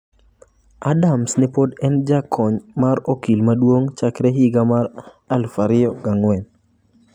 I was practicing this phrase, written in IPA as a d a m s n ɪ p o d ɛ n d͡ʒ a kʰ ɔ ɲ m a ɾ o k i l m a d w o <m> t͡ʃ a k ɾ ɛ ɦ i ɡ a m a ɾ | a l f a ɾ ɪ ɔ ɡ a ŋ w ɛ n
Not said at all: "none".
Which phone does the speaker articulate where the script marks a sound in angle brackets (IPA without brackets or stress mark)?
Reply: ŋ